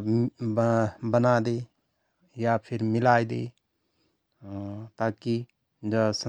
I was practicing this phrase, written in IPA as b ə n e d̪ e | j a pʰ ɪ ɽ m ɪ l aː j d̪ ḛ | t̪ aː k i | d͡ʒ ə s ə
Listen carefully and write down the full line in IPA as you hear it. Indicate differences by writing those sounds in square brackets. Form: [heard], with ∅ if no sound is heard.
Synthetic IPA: b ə n [a] d̪ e | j a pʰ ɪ [ɾ] m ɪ l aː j d̪ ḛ | t̪ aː k i | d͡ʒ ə s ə